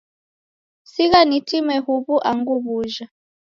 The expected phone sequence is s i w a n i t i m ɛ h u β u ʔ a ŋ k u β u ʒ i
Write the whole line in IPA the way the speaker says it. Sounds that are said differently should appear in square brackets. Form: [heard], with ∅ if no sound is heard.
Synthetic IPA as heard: s i [ɣ] a n i t i m ɛ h u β u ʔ a ŋ [ɡ] u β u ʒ [a]